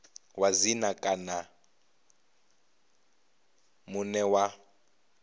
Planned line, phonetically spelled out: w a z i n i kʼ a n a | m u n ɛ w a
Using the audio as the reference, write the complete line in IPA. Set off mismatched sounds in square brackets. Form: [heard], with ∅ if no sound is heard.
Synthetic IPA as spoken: w a z i n [a] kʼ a n a | m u n ɛ w a

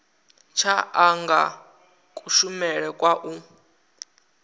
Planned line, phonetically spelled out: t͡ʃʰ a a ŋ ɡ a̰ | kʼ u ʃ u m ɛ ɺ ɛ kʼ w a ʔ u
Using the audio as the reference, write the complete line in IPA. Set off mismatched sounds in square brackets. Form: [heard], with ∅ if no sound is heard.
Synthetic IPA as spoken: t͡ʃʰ a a ŋ ɡ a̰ | kʼ u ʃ u m ɛ ɺ ɛ kʼ w a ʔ u

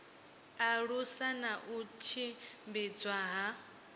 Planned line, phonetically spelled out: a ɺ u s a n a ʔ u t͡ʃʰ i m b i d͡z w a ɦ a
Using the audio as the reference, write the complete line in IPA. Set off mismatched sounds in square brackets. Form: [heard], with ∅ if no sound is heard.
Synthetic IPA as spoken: a ɺ u s a n a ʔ u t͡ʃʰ i m b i d͡z w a ɦ a

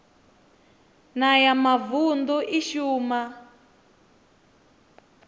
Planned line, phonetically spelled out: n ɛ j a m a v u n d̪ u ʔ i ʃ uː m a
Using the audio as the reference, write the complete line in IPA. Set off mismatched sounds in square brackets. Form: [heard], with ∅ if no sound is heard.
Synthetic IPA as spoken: n [a] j a m a v u n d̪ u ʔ i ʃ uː m a

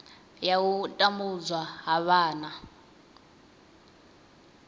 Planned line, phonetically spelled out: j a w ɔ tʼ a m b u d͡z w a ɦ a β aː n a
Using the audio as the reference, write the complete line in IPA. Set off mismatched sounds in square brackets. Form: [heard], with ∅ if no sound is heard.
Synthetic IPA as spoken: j a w [u] tʼ a m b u d͡z w a ɦ a β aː n a

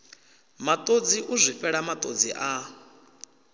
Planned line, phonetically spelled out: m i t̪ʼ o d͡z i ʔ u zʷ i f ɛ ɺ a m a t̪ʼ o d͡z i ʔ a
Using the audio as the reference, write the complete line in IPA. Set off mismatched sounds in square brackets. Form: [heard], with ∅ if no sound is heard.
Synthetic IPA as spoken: m [a] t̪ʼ o d͡z i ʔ u zʷ i f ɛ ɺ a m a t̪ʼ o d͡z i ʔ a

